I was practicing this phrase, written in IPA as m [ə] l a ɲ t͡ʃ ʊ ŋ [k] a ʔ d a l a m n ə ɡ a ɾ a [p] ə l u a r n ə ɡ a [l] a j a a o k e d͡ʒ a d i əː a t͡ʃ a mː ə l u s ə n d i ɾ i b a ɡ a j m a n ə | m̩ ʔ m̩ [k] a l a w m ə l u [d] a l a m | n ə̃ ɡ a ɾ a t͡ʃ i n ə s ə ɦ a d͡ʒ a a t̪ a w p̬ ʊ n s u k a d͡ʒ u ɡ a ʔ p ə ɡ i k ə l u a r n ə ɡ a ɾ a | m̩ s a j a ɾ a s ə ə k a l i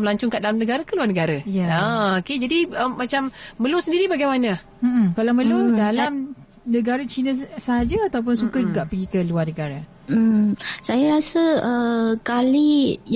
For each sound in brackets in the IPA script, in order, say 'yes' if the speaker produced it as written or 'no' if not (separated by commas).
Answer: yes, yes, no, no, yes, yes